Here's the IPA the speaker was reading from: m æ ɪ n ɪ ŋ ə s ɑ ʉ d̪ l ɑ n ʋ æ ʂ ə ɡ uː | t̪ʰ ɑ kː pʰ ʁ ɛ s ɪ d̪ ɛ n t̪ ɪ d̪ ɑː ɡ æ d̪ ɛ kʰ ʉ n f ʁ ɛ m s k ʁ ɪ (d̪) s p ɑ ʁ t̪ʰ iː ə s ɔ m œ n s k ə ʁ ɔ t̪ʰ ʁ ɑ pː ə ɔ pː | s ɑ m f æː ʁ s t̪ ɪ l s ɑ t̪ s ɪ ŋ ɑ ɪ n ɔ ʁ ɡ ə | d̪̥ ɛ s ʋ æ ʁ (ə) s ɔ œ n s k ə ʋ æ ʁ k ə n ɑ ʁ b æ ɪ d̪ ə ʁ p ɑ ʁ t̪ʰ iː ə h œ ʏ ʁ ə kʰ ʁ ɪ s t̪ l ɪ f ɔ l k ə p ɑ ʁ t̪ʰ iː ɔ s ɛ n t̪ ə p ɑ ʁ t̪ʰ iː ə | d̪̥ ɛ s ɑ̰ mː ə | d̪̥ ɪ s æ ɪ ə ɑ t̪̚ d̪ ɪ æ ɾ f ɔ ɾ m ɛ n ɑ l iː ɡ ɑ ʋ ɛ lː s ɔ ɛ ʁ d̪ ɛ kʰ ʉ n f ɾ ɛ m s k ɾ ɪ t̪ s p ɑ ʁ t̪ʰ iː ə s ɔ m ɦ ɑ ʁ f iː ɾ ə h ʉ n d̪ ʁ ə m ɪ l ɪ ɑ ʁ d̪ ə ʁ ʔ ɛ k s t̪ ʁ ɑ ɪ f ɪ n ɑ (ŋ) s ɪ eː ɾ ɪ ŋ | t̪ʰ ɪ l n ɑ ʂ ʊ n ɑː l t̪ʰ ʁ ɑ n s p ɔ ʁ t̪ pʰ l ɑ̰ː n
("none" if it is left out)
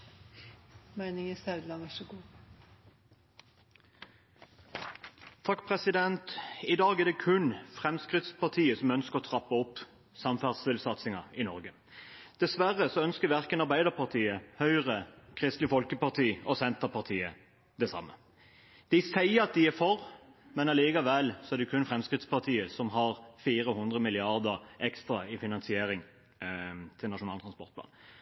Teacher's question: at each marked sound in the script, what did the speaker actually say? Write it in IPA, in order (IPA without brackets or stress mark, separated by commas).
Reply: t̪, ə, n